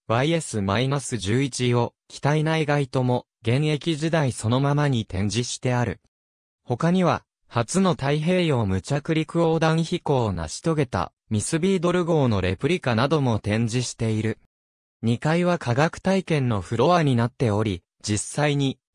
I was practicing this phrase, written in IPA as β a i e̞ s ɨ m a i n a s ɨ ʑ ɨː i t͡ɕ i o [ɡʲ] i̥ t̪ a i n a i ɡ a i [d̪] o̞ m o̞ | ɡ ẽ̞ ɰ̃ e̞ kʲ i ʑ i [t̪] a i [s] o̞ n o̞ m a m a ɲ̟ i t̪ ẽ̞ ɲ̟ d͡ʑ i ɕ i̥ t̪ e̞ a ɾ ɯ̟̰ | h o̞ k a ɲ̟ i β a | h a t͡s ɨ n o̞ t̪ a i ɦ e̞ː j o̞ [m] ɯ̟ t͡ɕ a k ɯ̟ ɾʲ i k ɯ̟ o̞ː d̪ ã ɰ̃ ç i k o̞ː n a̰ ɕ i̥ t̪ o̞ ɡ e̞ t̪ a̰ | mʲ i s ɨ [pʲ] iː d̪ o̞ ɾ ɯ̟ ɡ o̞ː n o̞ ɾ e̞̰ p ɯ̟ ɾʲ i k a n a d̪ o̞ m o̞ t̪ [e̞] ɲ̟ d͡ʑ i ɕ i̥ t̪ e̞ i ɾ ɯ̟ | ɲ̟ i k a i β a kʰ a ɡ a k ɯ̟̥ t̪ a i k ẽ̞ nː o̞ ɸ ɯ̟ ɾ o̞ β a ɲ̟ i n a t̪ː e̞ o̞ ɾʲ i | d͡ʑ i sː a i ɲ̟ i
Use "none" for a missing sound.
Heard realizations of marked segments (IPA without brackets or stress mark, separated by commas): kʲ, t̪, d̪, s, m, bʲ, ẽ̞